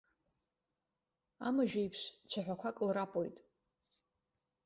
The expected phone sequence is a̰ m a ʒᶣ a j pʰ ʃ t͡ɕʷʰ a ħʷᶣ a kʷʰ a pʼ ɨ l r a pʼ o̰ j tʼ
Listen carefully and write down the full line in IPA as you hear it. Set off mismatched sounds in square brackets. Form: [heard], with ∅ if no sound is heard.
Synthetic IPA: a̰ m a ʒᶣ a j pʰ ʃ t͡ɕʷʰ a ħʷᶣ a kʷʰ a [kʼ] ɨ l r a pʼ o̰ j tʼ